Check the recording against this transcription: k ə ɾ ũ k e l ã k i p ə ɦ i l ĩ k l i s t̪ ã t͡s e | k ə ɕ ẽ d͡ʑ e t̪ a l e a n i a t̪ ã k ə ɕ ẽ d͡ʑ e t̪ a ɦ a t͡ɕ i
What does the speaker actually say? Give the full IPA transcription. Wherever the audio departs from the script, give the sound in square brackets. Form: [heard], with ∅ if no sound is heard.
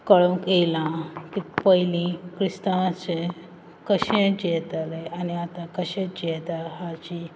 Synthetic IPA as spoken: k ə [ɭ] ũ k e l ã k i p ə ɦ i l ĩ k [ɾ] i s t̪ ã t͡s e | k ə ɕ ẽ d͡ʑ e t̪ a l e a n i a t̪ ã k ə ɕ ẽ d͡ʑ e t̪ a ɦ a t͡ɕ i